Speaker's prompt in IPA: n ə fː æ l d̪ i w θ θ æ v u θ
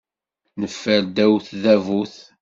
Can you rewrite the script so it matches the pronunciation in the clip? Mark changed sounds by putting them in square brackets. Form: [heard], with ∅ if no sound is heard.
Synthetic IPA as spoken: n ə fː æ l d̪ [æ] w θ [ð] æ v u θ